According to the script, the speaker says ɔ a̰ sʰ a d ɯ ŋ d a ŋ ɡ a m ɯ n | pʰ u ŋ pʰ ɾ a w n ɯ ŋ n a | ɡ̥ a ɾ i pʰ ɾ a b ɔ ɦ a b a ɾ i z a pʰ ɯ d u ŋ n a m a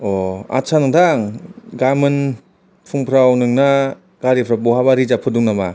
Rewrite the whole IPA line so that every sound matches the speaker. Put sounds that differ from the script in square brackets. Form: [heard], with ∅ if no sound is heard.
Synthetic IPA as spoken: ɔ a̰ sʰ a [n] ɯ ŋ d a ŋ ɡ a m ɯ n | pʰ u ŋ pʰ ɾ a w n ɯ ŋ n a | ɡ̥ a ɾ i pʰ ɾ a b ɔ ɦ a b a ɾ i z a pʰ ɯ d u ŋ n a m a

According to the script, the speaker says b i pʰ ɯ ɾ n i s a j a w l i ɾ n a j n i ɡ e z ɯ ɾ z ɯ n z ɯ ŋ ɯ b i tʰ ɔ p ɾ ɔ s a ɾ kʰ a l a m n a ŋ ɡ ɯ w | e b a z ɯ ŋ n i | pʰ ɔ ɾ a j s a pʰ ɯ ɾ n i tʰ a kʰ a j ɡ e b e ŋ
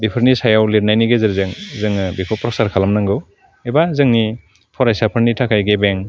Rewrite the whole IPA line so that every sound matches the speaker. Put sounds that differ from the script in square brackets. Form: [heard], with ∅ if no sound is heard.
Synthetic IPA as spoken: b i pʰ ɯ ɾ n i s a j a w l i ɾ n a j n i ɡ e z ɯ ɾ z ɯ [ŋ] z ɯ ŋ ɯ b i [pʰ] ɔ p ɾ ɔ s a ɾ kʰ a l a m n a ŋ ɡ ɯ w | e b a z ɯ ŋ n i | pʰ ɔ ɾ a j s a pʰ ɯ ɾ n i tʰ a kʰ a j ɡ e b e ŋ

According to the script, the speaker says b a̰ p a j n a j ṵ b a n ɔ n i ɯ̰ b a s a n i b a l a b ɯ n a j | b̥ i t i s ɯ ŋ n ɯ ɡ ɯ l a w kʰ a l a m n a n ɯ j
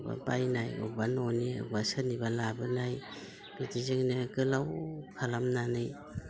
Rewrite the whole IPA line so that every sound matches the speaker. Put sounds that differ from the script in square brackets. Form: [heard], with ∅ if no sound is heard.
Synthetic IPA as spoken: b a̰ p a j n a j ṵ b a n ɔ n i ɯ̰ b a s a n i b a l a b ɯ n a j | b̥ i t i [z] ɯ ŋ n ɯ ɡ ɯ l a w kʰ a l a m n a n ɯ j

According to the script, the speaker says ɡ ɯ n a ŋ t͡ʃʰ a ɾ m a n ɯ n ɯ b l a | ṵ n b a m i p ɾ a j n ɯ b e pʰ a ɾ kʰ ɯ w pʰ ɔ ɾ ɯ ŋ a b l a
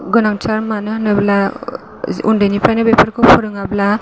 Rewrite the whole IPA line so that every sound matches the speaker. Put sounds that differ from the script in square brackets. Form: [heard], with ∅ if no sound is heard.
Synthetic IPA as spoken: ɡ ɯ n a ŋ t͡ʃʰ a ɾ m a n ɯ n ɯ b l a | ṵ n [d] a [n] i p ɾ a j n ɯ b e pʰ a ɾ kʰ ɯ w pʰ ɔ ɾ ɯ ŋ a b l a

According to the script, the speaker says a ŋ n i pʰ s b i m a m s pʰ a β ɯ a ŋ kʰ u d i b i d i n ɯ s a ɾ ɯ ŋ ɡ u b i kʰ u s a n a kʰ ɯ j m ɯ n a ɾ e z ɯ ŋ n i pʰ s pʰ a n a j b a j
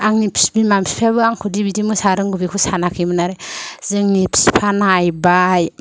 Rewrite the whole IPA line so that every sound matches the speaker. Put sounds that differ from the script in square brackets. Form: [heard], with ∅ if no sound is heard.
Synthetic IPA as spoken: a ŋ n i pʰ s b i m a m s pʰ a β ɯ a ŋ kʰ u d i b i d i [m] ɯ s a ɾ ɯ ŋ ɡ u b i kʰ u s a n a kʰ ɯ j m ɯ n a ɾ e z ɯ ŋ n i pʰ s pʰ a n a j b a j

